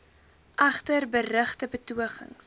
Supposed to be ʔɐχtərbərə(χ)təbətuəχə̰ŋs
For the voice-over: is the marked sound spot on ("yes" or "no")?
yes